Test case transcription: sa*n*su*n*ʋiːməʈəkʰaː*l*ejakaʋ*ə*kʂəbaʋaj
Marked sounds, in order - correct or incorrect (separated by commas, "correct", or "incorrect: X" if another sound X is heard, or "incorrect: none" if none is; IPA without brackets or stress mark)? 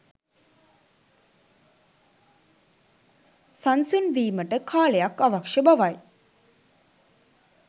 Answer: correct, correct, correct, incorrect: a